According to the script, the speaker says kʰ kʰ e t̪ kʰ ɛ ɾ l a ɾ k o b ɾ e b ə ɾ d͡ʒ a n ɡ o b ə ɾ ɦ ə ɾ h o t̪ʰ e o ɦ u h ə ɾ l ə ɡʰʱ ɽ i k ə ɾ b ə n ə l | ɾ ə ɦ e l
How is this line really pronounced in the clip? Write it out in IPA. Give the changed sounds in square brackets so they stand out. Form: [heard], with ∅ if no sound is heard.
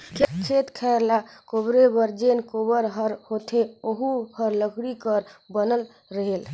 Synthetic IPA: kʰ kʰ e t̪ kʰ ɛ ɾ l a [∅] k o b ɾ e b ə ɾ d͡ʒ [e] n [k] o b ə ɾ ɦ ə ɾ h o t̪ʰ e o ɦ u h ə ɾ l ə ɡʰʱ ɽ i k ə ɾ b ə n ə l | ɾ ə ɦ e l